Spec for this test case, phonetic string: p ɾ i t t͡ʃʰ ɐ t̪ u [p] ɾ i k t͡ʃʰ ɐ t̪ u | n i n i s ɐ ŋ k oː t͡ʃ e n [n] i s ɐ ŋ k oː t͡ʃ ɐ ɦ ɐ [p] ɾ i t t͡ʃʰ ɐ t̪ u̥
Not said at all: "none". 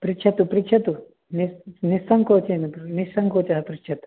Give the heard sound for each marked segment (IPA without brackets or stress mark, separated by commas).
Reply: p, n, p